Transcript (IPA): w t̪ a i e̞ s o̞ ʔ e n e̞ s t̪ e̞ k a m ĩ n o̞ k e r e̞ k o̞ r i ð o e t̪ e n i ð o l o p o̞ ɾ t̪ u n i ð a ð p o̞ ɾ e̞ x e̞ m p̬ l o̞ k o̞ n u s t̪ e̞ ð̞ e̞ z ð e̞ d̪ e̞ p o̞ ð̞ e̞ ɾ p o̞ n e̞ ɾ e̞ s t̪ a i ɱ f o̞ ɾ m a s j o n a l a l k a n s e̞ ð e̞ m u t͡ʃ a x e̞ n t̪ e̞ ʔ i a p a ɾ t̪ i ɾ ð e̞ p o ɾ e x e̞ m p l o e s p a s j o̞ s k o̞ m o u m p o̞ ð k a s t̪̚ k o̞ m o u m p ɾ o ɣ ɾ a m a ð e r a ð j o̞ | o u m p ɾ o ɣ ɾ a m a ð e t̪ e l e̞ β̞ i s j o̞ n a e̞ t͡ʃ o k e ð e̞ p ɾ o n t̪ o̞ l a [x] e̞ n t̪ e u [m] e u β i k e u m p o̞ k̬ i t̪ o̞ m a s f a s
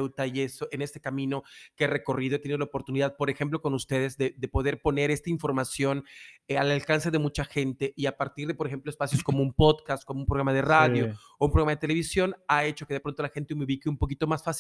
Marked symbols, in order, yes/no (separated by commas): yes, yes